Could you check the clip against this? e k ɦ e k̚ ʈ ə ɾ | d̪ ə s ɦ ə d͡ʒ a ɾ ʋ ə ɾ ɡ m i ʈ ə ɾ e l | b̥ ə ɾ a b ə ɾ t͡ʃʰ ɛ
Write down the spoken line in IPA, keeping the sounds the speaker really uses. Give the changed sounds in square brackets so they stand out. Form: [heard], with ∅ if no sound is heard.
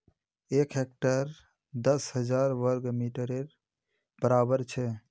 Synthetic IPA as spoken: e k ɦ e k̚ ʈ ə ɾ | d̪ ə s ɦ ə d͡ʒ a ɾ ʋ ə ɾ ɡ m i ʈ ə ɾ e [ɾ] | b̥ ə ɾ a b ə ɾ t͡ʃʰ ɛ